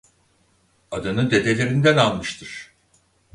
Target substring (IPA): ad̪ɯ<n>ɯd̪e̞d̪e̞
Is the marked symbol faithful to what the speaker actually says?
yes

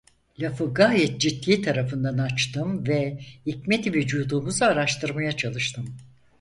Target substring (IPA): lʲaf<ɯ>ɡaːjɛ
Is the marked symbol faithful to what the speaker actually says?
yes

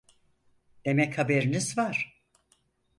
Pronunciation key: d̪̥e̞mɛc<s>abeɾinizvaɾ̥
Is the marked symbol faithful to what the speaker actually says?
no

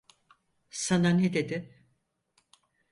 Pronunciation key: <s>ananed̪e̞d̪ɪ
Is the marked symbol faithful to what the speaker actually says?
yes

